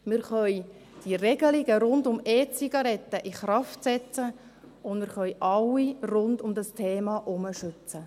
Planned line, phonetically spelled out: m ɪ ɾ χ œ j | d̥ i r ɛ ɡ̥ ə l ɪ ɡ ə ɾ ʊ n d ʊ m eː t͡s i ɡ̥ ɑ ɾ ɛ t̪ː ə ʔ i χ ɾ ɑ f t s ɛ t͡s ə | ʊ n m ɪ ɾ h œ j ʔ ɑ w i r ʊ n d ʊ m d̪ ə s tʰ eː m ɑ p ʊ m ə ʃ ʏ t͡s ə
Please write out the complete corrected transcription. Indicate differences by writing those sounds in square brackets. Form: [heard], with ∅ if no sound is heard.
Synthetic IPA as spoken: m ɪ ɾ χ œ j | d̥ i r ɛ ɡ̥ ə l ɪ ɡ ə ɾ ʊ n d ʊ m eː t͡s i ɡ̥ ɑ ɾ ɛ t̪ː ə ʔ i χ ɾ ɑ f t s ɛ t͡s ə | ʊ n m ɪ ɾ [χ] œ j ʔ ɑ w i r ʊ n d ʊ m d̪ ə s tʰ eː m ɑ [ʔ] ʊ m ə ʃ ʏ t͡s ə